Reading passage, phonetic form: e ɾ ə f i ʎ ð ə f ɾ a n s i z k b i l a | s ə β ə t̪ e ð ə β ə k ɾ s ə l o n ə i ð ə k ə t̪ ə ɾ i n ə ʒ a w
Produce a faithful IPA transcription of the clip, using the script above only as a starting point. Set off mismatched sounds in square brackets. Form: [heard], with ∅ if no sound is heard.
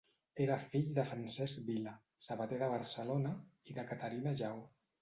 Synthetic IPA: e ɾ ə f i ʎ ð ə f ɾ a n s [ɛ] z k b i l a | s ə β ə t̪ e ð ə β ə [∅] ɾ s ə l o n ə i ð ə k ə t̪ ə ɾ i n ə ʒ a w

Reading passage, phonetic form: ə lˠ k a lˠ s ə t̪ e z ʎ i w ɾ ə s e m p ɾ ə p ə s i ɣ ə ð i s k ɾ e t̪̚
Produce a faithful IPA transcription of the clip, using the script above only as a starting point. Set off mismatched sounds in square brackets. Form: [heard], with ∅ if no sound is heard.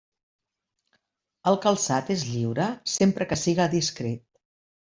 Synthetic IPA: ə lˠ k [ə] lˠ s [a] t̪ e z ʎ i w ɾ ə s e m p ɾ ə [k] ə s i ɣ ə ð i s k ɾ e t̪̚

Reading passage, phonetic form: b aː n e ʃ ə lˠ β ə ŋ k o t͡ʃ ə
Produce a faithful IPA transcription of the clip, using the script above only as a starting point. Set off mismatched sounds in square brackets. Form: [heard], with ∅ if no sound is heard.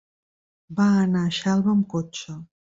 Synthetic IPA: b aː n [a] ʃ [a] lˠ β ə [m] k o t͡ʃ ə

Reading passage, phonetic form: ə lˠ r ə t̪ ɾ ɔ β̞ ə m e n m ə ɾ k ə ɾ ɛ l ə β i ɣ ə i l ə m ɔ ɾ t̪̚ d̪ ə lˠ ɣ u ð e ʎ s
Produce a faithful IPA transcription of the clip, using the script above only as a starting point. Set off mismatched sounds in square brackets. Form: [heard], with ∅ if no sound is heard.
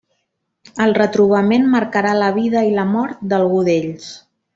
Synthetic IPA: ə lˠ r ə t̪ ɾ [u] β̞ ə m e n m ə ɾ k ə ɾ [a] l ə β i [ð] ə i l ə m ɔ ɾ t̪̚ d̪ ə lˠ ɣ u ð e ʎ s

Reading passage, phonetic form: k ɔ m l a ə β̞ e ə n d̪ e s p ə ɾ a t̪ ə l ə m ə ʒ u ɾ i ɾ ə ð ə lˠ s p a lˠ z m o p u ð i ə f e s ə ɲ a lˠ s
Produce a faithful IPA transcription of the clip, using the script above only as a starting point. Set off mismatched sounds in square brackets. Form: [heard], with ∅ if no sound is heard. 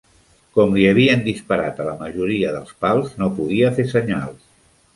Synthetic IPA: k ɔ m l [i] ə β̞ [i] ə n d̪ [i] s p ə ɾ a t̪ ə l ə m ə ʒ u ɾ i [∅] ə ð ə lˠ s p a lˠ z [n] o p u ð i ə f e s ə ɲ a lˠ s

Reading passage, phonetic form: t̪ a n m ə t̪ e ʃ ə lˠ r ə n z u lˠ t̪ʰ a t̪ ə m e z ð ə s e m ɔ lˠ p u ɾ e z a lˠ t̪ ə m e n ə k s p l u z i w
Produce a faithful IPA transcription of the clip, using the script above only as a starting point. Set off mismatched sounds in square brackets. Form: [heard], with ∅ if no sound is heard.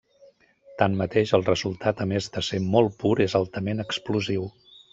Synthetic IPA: t̪ a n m ə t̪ e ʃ ə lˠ r ə [∅] z u lˠ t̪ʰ a t̪ ə m e z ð ə s e m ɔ lˠ p u ɾ e z a lˠ t̪ ə m e n ə k s p l u z i w

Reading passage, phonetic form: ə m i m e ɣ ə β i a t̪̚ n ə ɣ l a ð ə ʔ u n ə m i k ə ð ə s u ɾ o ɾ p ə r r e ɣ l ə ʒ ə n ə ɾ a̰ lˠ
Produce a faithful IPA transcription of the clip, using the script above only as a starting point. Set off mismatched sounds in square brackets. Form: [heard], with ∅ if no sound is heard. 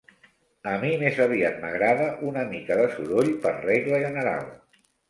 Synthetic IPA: ə m i m e [z] ə β i a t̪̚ [m] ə ɣ [ɾ] a ð ə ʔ u n ə m i k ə ð ə s u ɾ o [ʎ] p ə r r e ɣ l ə ʒ ə n ə ɾ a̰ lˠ

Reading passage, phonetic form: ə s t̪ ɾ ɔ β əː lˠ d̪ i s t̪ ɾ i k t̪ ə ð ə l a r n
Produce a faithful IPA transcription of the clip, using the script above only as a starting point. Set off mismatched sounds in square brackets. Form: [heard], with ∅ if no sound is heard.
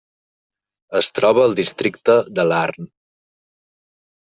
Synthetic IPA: ə s t̪ ɾ ɔ β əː lˠ d̪ i s t̪ ɾ i k t̪ ə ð ə l a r n

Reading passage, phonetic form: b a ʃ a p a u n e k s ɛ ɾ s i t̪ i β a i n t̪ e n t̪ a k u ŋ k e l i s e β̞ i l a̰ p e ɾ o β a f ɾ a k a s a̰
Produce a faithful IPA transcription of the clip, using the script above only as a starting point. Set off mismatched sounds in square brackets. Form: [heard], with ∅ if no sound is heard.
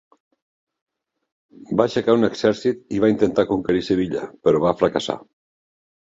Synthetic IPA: b a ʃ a [k] a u n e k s ɛ ɾ s i t̪ i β a i n t̪ e n t̪ a k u ŋ k e [ɾ] i s e β̞ i [ʎ] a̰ p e ɾ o β a f ɾ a k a s a̰

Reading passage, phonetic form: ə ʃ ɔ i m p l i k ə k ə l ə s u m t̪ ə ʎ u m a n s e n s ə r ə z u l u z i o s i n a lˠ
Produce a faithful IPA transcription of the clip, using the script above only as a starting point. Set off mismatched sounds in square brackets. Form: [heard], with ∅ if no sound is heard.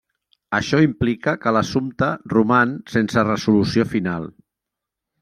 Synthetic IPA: ə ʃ ɔ i m p l i k ə k ə l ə s u m t̪ ə [r] u m a n s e n s ə r ə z u l u [s] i o [f] i n a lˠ

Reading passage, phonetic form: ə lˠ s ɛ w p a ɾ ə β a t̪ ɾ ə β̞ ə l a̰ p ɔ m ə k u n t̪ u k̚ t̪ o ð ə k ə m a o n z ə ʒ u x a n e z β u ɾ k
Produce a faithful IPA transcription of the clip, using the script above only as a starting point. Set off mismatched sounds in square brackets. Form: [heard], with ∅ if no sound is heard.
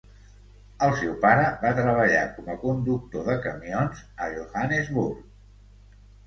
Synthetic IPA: ə lˠ s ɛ w p a ɾ ə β a t̪ ɾ ə β̞ ə [ʎ] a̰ [k] ɔ m ə k u n [d̪] u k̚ t̪ o ð ə k ə m [i] o n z ə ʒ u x a n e z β u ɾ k

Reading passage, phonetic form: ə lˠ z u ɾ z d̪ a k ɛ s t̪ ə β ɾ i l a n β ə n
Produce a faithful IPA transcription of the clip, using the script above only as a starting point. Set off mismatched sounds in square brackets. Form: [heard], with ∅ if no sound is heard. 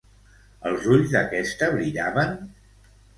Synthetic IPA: ə lˠ z u [ʎ] z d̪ [ə] k ɛ s t̪ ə β ɾ i [ʎ] a [∅] β ə n

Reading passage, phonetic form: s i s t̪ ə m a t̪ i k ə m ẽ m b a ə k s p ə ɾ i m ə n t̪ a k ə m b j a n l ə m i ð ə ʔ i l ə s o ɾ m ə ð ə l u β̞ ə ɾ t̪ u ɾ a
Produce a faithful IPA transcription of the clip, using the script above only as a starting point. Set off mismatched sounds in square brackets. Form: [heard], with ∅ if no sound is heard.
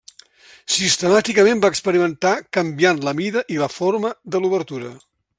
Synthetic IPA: s i s t̪ ə m a t̪ i k ə m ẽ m b a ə k s p ə ɾ i m ə n t̪ a k ə m b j a n l ə m i ð ə ʔ i l ə [f] o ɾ m ə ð ə l u β̞ ə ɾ t̪ u ɾ [ə]

